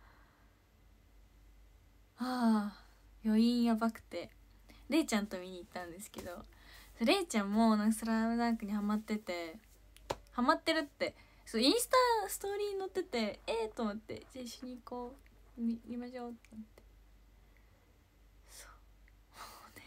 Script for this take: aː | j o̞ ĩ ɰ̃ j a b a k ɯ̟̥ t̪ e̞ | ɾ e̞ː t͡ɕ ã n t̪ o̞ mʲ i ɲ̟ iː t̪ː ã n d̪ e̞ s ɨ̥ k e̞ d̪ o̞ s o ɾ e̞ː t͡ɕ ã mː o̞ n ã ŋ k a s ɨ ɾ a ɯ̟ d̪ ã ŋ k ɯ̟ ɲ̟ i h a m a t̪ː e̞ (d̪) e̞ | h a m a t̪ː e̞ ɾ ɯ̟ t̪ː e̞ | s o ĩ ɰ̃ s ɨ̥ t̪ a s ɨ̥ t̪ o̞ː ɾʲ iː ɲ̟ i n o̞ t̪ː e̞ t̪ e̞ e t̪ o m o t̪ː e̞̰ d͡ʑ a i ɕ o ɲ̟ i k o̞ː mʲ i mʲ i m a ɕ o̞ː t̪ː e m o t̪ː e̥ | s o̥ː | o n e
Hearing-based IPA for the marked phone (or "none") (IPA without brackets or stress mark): t̪